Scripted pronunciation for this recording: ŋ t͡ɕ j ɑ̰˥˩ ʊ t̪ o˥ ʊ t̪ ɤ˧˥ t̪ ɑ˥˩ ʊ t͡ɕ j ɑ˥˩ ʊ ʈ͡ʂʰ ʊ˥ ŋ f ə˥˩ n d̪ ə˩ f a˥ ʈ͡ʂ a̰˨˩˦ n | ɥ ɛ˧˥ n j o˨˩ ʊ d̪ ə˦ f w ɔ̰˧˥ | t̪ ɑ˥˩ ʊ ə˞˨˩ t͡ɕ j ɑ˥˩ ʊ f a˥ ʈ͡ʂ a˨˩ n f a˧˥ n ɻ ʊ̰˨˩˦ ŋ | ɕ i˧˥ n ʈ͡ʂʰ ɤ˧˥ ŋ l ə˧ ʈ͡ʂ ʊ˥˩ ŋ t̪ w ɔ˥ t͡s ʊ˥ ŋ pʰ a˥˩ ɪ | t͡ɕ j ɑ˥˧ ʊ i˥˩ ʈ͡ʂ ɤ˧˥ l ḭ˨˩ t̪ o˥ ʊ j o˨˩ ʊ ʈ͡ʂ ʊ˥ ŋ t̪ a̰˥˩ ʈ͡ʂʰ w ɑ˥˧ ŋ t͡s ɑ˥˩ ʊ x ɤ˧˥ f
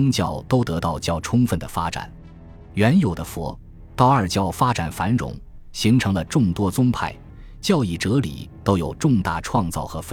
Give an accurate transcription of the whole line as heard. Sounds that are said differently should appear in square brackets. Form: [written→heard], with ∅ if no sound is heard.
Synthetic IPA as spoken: ŋ t͡ɕ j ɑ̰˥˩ ʊ t̪ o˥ ʊ t̪ ɤ˧˥ t̪ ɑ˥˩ ʊ t͡ɕ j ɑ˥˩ ʊ ʈ͡ʂʰ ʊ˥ ŋ f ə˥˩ n d̪ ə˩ f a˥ ʈ͡ʂ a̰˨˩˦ n | ɥ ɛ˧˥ n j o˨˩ ʊ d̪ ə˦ f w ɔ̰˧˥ | t̪ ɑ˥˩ ʊ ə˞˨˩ t͡ɕ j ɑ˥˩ ʊ f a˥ ʈ͡ʂ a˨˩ n f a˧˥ n ɻ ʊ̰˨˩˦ ŋ | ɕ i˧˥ [n→ŋ] ʈ͡ʂʰ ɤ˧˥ ŋ l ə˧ ʈ͡ʂ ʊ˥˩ ŋ t̪ w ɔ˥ t͡s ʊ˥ ŋ pʰ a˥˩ ɪ | t͡ɕ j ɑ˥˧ ʊ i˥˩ ʈ͡ʂ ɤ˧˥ l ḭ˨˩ t̪ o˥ ʊ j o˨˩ ʊ ʈ͡ʂ [ʊ˥→ʊ˥˧] ŋ t̪ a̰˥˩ ʈ͡ʂʰ w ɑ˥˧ ŋ t͡s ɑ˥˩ ʊ x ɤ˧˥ f